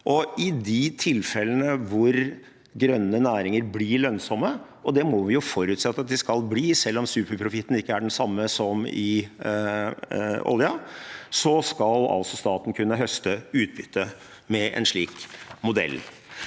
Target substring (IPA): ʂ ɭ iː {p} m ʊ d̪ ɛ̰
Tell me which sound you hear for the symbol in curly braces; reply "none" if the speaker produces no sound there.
k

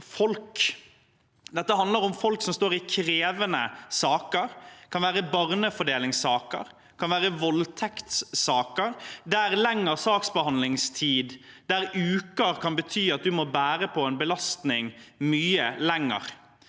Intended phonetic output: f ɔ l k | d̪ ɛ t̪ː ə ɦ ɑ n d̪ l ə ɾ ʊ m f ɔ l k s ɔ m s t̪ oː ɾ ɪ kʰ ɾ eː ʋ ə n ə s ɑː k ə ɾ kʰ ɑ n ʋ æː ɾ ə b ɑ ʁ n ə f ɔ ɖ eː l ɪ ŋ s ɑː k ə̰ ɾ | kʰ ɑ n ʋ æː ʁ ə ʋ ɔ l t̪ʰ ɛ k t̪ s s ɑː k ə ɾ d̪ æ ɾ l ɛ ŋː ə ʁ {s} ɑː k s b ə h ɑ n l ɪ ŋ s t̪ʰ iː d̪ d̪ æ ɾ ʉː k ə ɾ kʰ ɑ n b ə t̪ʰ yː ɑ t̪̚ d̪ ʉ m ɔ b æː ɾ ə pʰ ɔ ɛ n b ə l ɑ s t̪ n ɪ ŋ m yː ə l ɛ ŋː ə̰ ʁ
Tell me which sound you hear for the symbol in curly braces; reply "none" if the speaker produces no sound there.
s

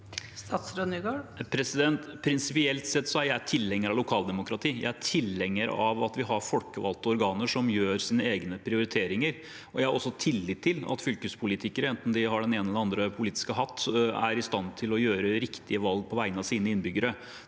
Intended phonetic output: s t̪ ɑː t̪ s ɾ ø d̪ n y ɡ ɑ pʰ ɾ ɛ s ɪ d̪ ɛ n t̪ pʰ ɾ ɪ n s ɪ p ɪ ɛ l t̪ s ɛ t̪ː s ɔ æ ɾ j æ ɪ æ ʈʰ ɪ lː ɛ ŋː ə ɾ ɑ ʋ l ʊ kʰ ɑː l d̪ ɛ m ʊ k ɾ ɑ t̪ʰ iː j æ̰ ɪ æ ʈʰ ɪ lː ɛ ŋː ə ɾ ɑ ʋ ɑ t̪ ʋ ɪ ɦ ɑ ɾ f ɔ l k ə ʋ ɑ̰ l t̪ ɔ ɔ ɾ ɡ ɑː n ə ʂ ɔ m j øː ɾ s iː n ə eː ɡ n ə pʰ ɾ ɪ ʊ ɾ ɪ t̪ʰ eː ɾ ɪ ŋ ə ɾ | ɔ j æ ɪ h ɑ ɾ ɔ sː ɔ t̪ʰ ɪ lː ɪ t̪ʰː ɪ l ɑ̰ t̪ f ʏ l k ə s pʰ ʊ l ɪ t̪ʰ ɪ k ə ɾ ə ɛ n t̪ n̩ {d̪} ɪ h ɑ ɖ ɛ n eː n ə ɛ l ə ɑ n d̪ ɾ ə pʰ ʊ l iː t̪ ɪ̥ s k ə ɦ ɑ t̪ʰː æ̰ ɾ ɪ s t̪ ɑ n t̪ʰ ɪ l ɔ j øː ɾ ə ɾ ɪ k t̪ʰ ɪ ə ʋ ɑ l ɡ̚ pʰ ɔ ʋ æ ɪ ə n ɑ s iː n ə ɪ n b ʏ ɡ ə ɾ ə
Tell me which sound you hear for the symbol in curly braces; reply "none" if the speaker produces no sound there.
d̪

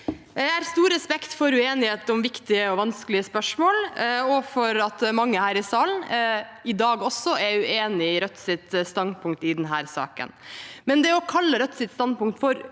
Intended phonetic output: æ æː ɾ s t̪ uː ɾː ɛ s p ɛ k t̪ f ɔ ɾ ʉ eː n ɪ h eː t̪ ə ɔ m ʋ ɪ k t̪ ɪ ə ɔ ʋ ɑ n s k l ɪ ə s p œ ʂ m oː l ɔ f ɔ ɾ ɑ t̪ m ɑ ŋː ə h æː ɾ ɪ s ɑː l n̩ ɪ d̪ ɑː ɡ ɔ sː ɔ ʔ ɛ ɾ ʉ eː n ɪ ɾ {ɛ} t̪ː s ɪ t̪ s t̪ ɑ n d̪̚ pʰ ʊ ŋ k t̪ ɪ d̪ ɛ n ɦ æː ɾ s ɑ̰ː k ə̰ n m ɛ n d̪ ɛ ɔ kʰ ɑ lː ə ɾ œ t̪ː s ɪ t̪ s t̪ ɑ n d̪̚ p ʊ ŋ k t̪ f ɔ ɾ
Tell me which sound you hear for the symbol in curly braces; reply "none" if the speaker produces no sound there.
œ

